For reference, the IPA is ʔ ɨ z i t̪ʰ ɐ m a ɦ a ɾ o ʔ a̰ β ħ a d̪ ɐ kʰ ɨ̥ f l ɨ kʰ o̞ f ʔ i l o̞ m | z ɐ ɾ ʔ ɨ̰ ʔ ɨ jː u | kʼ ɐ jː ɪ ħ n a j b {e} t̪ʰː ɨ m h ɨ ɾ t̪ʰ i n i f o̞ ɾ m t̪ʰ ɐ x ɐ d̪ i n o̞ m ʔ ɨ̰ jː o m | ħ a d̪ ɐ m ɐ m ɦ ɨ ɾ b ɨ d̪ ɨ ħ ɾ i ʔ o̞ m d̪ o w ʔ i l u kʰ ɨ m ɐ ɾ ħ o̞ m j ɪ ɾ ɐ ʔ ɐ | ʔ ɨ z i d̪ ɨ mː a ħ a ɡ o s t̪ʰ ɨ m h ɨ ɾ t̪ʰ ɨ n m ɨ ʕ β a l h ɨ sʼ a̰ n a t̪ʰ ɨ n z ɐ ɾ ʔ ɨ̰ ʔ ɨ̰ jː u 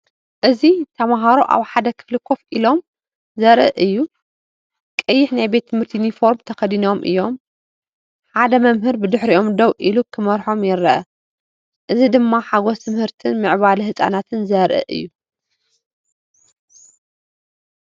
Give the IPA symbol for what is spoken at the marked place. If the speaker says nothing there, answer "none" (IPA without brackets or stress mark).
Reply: e